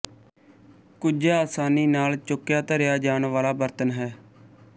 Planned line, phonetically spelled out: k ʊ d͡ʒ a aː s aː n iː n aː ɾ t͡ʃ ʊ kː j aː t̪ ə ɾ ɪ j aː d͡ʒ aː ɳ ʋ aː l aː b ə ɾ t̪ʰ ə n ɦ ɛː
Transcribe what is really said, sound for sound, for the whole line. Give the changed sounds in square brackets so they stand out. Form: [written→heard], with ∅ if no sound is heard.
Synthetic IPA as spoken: k ʊ d͡ʒ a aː s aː n iː n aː [ɾ→l] t͡ʃ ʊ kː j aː t̪ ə ɾ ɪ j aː d͡ʒ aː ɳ ʋ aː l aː b ə ɾ [t̪ʰ→t̪] ə n ɦ ɛː